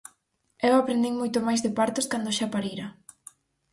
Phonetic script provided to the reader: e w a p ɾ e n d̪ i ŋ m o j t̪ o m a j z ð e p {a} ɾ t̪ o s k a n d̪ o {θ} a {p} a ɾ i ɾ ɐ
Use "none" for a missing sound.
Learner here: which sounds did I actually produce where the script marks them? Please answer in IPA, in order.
a, ʃ, p

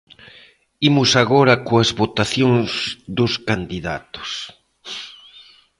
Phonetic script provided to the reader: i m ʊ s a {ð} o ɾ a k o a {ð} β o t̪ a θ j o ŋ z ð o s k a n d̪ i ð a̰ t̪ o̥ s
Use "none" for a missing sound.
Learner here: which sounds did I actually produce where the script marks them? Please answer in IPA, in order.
ɣ, z

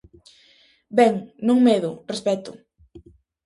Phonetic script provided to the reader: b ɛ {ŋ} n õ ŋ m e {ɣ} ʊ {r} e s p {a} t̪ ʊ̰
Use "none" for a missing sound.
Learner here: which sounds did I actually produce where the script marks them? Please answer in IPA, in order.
ŋ, ð, r, ɛ

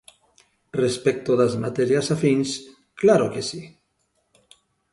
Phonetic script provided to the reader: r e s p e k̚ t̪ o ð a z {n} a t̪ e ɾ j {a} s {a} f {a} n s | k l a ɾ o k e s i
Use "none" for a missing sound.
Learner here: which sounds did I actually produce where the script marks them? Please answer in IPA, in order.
m, a, a, i

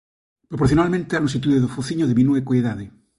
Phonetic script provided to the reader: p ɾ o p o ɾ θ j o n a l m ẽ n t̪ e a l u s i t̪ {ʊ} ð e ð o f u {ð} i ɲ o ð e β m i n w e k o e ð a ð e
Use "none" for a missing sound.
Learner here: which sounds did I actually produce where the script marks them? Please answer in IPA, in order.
u, θ

